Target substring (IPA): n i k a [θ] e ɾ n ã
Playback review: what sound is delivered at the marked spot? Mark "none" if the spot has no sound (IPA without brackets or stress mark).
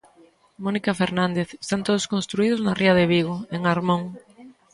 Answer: f